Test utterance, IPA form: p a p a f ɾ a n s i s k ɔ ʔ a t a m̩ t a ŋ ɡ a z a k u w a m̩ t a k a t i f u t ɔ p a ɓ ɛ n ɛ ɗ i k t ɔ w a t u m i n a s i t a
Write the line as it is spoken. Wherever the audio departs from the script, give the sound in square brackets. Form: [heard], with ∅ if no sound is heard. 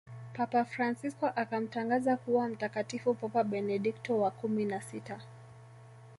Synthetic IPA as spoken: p a p a f ɾ a n s i s k ɔ ʔ a [k] a m̩ t a ŋ ɡ a z a k u w a m̩ t a k a t i f u [p] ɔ p a ɓ ɛ n ɛ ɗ i k t ɔ w a [k] u m i n a s i t a